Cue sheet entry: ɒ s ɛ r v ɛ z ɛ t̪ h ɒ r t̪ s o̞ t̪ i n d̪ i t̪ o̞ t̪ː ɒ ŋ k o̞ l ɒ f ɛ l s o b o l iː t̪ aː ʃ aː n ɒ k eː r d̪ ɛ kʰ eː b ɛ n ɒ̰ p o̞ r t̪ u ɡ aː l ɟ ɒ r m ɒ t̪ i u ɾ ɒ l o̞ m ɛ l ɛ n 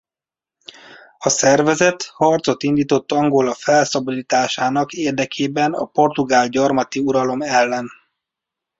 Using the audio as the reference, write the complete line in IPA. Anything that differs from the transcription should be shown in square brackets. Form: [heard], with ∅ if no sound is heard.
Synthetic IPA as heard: ɒ s ɛ r v ɛ z ɛ t̪ h ɒ r t̪ s o̞ t̪ i n d̪ [iː] t̪ o̞ t̪ː ɒ ŋ [ɡ] o̞ l ɒ f ɛ l s [ɒ] b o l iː t̪ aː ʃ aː n ɒ k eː r d̪ ɛ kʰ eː b ɛ n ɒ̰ p o̞ r t̪ u ɡ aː l ɟ ɒ r m ɒ t̪ i u ɾ ɒ l o̞ m ɛ [lː] ɛ n